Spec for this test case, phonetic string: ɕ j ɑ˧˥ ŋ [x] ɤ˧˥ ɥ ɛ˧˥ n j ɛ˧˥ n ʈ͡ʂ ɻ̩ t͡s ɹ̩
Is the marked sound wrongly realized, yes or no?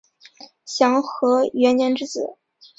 no